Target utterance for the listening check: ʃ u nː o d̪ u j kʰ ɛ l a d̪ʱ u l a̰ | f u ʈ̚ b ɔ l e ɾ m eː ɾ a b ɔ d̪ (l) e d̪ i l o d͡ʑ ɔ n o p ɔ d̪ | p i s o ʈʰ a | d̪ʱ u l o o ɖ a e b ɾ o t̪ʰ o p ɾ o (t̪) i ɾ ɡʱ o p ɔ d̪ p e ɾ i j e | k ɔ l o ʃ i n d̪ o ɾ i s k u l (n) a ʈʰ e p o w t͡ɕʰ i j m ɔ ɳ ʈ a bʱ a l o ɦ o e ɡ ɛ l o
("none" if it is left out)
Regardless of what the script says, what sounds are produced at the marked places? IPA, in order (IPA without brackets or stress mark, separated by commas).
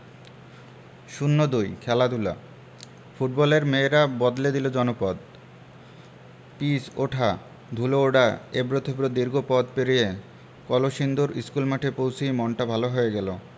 l, d̪, m